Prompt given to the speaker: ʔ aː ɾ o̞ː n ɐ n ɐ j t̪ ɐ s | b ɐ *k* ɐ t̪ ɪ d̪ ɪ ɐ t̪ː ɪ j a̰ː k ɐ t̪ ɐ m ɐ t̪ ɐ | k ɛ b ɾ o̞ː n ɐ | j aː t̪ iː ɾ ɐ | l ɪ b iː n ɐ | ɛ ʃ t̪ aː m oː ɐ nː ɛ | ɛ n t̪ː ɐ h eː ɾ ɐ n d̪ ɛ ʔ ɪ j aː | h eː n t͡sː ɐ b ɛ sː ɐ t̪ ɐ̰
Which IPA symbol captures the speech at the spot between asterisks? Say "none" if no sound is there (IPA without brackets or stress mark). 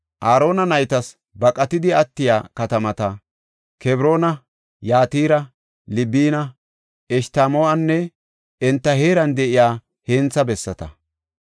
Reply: kʼ